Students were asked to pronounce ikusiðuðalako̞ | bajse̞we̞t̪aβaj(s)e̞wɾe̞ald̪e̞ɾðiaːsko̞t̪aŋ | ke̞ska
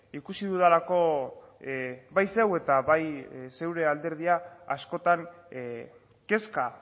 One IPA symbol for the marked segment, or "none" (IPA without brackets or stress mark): s